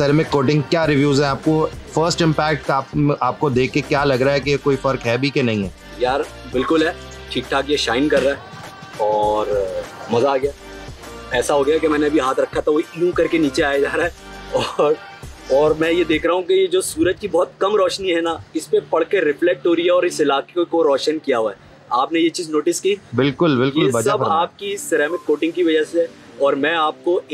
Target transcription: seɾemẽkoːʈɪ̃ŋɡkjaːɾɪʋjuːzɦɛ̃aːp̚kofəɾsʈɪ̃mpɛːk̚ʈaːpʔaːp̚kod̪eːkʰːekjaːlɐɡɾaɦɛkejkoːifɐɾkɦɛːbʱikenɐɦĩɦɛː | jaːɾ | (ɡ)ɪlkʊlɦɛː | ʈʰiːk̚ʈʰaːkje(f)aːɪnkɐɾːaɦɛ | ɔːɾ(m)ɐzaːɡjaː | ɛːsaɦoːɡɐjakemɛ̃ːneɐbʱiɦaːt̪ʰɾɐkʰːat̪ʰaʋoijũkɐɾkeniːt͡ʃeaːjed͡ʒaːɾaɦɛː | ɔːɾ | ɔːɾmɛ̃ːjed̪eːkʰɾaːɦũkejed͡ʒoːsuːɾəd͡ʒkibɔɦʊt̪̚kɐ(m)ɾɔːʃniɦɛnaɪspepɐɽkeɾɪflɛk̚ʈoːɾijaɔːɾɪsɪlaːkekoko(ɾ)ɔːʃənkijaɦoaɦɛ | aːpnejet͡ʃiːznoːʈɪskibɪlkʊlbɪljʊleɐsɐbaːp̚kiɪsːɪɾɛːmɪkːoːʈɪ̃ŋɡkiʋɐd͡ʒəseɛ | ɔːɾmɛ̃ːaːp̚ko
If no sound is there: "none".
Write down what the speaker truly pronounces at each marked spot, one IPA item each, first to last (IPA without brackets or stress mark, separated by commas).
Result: b, ʃ, m, m, ɾ